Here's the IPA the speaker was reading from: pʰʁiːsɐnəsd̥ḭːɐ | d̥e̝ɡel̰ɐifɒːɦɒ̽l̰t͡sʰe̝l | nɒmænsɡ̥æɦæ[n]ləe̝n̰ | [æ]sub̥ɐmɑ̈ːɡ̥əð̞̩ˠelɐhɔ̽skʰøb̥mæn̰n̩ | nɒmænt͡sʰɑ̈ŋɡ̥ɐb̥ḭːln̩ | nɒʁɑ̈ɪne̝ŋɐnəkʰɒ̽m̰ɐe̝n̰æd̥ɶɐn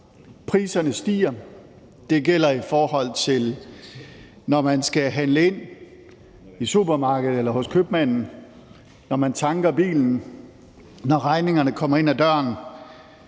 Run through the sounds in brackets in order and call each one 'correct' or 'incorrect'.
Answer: correct, incorrect

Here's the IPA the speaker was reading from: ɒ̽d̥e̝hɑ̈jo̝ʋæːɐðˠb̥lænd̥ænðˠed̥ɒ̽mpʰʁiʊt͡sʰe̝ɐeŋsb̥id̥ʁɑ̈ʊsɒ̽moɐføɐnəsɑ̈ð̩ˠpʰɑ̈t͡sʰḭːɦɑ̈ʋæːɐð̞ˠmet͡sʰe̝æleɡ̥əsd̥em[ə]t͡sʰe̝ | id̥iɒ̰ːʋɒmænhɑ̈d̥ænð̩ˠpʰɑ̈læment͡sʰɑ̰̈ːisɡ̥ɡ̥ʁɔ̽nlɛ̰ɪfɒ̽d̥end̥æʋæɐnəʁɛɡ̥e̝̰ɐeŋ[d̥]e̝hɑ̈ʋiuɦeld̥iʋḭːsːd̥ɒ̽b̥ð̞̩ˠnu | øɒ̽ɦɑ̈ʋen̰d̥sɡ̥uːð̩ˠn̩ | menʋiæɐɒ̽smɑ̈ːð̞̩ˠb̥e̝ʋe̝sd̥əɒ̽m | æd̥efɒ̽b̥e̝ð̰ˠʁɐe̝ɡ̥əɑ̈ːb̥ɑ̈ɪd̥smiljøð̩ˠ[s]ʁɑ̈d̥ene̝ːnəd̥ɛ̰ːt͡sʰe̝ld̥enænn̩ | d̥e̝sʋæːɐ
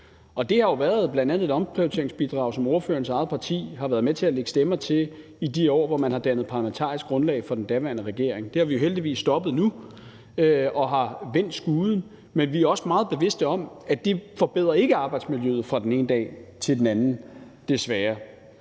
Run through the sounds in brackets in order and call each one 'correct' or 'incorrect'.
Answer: incorrect, correct, incorrect

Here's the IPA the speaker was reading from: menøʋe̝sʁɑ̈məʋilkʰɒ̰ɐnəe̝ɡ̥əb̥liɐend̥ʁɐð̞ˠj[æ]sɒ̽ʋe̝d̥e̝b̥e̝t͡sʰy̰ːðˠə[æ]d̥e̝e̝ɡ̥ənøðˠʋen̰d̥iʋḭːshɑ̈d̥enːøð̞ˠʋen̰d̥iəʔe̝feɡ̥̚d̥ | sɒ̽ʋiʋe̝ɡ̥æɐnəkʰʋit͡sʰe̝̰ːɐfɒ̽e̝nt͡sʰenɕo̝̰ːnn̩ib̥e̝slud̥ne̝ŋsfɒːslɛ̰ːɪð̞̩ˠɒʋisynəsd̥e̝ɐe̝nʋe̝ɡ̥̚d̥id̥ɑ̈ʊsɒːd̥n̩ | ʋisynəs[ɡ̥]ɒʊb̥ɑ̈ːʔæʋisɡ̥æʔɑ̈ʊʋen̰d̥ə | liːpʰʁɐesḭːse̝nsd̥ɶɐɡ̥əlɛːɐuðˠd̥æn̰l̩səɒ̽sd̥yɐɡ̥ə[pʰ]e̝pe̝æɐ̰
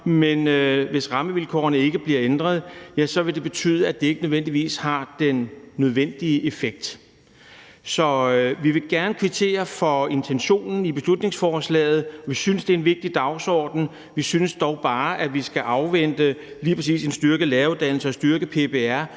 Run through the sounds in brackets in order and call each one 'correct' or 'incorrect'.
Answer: correct, correct, incorrect, correct

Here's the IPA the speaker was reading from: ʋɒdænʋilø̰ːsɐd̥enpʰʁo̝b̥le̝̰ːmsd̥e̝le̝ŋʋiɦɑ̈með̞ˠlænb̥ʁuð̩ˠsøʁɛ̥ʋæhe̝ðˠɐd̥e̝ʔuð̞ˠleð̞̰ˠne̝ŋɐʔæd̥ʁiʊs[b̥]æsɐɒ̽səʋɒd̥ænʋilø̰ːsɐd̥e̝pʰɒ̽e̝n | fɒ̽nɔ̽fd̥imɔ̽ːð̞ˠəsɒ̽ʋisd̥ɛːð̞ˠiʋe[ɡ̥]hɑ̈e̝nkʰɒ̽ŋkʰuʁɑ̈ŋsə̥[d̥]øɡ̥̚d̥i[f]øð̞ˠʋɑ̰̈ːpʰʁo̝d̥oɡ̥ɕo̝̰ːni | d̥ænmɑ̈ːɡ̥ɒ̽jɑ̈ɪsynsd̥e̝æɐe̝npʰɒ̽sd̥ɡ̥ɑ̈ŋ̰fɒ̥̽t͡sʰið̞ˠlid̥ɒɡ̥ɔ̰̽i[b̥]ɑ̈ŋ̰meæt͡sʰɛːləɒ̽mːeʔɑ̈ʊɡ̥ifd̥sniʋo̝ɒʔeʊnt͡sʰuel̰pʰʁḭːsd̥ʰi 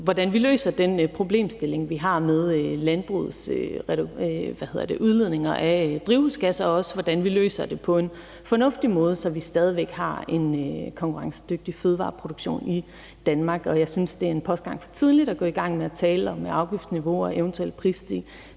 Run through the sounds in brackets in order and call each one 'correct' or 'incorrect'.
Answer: incorrect, correct, correct, correct, incorrect

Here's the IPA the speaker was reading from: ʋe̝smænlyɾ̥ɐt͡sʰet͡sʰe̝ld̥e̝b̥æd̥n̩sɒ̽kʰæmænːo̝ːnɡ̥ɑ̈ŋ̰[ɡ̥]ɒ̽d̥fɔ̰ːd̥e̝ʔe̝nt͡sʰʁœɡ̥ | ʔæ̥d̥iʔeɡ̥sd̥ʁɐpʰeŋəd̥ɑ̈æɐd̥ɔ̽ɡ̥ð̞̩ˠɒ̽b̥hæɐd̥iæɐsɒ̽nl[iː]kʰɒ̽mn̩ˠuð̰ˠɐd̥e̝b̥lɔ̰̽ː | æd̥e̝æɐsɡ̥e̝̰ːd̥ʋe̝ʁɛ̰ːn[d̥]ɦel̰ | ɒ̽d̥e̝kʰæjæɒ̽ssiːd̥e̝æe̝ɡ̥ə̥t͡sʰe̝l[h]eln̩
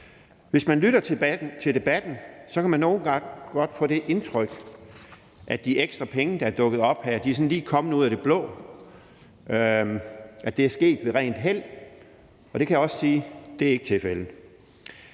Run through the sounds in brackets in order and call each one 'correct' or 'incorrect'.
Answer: correct, correct, correct, incorrect

